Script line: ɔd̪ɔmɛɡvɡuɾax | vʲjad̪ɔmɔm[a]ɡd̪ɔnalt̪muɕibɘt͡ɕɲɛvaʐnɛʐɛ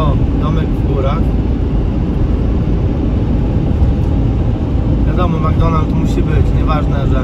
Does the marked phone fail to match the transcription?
no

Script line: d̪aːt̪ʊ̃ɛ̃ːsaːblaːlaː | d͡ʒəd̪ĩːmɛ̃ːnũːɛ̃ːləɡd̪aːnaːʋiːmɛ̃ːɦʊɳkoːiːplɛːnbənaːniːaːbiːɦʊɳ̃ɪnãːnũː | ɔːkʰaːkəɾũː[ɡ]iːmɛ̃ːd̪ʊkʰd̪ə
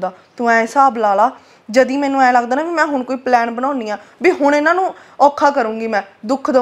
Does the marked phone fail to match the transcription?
no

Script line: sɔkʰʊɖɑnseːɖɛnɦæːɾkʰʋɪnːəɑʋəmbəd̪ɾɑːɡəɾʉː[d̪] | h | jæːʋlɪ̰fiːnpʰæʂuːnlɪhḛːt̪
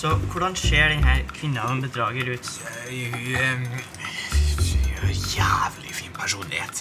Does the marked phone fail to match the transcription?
yes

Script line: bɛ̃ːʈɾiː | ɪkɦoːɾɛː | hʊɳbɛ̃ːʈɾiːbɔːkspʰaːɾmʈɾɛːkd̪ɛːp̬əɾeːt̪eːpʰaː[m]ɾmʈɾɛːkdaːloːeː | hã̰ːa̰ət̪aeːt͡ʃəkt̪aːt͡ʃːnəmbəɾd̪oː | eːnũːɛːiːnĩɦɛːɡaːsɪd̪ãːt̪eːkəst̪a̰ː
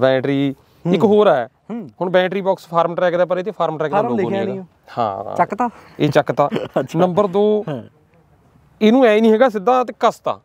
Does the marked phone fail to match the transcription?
yes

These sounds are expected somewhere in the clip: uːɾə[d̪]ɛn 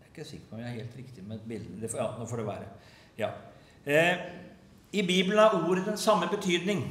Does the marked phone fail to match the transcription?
no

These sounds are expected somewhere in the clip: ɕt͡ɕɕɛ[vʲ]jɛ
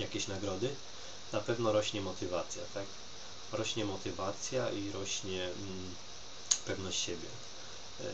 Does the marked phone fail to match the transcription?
yes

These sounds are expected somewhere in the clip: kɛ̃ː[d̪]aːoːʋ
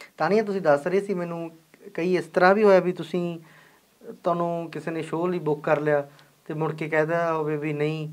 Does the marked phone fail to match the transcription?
no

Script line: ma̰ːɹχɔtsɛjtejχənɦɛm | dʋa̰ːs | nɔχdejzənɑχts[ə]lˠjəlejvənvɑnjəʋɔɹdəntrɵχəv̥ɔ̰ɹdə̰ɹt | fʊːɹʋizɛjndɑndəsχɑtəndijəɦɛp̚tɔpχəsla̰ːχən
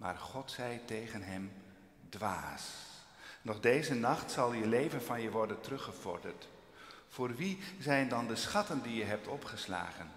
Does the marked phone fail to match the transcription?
yes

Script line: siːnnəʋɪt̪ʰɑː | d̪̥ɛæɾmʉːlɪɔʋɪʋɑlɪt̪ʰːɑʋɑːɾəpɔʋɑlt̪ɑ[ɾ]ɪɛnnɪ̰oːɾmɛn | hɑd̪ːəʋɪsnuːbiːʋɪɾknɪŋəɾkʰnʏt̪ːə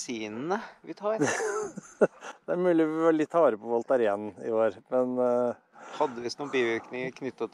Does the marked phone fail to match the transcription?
no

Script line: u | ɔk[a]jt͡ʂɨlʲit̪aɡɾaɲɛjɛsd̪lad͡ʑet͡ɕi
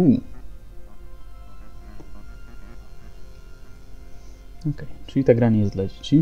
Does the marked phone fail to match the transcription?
yes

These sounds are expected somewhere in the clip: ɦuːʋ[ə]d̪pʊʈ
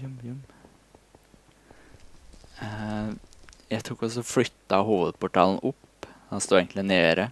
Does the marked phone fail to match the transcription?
no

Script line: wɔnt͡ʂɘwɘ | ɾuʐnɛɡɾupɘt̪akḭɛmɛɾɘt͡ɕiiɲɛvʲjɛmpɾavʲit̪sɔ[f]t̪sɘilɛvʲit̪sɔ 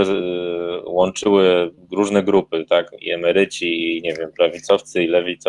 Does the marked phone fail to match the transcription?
no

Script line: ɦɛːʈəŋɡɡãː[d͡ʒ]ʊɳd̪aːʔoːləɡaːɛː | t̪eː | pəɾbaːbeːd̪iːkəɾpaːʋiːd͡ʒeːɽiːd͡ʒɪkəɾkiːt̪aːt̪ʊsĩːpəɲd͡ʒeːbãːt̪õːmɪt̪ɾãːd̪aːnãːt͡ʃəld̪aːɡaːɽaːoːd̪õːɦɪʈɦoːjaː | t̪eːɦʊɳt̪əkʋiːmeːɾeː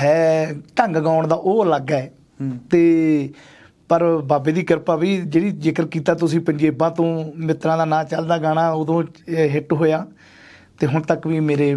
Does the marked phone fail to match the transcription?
yes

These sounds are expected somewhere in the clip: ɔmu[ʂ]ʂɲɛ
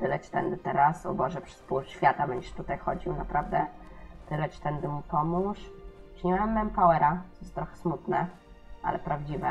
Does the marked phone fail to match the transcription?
no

